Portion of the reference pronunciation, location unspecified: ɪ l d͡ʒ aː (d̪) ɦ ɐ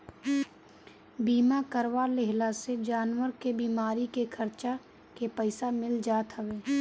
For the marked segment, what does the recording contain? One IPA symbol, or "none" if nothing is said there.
t̪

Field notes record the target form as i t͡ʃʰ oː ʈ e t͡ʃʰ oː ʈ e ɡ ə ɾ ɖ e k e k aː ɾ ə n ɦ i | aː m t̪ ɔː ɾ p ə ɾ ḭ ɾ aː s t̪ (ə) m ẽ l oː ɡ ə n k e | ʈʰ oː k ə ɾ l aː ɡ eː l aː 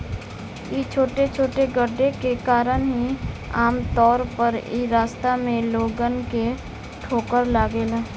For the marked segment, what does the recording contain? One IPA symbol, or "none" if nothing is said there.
a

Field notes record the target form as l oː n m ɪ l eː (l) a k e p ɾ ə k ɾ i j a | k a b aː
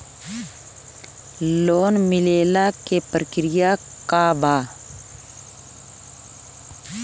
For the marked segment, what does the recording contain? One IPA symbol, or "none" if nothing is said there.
l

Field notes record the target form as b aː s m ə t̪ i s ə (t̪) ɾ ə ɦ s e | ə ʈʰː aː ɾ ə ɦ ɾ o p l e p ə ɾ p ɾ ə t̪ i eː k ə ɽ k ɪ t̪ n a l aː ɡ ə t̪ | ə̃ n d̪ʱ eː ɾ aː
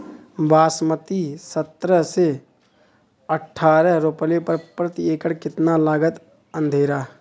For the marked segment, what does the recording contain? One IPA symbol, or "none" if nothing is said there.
t̪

